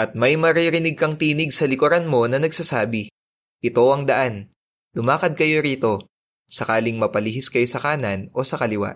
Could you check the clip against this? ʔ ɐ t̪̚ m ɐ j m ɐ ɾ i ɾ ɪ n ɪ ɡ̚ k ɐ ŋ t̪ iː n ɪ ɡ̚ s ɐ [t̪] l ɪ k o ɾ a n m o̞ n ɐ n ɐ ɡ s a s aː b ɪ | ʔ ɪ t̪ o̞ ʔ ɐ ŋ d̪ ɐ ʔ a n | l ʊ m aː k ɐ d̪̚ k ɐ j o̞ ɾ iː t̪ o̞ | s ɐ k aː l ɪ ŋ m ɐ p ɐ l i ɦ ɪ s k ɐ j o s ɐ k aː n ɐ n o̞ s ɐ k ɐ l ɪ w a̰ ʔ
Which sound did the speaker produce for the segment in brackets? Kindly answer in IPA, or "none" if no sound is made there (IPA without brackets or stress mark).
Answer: none